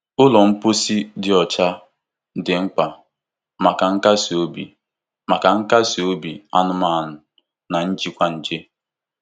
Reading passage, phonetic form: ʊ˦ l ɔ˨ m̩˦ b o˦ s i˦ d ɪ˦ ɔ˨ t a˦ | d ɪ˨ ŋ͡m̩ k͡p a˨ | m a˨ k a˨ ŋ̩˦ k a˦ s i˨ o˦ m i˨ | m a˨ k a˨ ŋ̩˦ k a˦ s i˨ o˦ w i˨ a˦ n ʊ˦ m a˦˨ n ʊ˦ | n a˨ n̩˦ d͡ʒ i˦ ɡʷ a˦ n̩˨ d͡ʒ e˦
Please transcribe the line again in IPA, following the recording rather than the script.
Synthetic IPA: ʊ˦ l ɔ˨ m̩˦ p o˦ s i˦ d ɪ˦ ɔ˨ t͡ʃ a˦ | d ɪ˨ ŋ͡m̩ k͡p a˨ | m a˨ k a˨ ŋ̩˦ k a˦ s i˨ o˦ b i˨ | m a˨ k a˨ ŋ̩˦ k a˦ s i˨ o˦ b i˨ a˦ n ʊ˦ m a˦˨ n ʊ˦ | n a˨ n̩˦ d͡ʒ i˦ kʷ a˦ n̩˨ d͡ʒ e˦